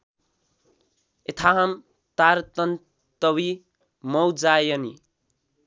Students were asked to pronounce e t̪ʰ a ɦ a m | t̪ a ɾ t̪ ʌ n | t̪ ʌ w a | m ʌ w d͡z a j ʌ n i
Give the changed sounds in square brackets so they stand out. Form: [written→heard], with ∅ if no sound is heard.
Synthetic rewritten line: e t̪ʰ a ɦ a m | t̪ a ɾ t̪ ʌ n | t̪ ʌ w [a→i] | m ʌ w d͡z a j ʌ n i

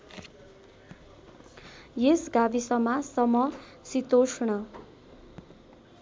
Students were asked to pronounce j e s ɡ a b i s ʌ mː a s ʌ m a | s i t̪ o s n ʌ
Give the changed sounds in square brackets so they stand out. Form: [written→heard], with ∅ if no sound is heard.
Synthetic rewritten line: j e s ɡ a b i s ʌ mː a s ʌ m [a→ʌ] | s i t̪ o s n ʌ

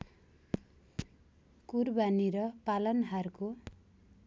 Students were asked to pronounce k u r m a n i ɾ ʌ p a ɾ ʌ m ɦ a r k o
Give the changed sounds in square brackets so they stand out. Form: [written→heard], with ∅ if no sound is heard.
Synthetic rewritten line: k u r [m→b] a n i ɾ ʌ p a [ɾ→l] ʌ [m→n] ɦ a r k o

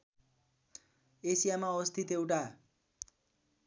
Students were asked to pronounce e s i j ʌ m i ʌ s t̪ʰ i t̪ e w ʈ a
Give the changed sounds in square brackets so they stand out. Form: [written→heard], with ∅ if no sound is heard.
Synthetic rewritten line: e s i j [ʌ→a] m [i→a] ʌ s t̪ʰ i t̪ e w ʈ a

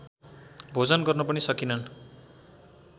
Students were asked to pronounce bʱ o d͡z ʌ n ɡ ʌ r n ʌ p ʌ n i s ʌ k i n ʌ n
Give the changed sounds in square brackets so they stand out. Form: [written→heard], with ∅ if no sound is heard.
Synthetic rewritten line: bʱ o d͡z ʌ n ɡ ʌ r n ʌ p ʌ n i s ʌ k i n ʌ n

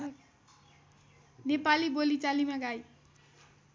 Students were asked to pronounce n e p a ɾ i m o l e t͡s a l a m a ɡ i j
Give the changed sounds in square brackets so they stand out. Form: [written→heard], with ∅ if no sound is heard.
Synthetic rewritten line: n e p a [ɾ→l] i [m→b] o l [e→i] t͡s a l [a→i] m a ɡ [i→a] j

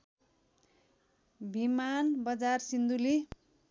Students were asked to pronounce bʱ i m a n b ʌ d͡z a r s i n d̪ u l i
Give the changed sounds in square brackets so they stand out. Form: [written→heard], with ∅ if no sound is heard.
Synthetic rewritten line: bʱ i m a n b ʌ d͡z a r s i n d̪ u l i

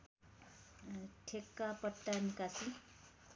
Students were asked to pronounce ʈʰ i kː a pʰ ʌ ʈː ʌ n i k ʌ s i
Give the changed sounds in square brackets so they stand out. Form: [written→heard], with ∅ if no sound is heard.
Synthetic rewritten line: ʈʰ [i→e] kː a [pʰ→p] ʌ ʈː [ʌ→a] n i k [ʌ→a] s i

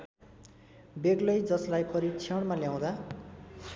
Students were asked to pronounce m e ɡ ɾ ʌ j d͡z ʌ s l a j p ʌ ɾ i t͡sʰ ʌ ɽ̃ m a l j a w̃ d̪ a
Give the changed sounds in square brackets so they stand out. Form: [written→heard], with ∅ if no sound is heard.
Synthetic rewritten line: [m→b] e ɡ [ɾ→l] ʌ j d͡z ʌ s l a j p ʌ ɾ i t͡sʰ ʌ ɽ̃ m a l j a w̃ d̪ a

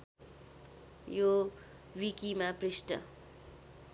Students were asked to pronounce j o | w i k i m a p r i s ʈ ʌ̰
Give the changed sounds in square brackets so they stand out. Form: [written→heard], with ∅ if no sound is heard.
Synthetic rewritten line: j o | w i k i m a p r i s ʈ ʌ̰

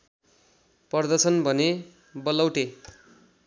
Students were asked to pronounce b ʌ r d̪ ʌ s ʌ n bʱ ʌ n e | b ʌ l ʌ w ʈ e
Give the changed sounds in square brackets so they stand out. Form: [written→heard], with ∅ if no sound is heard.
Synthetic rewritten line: [b→p] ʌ r d̪ ʌ s ʌ n bʱ ʌ n e | b ʌ l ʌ w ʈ e

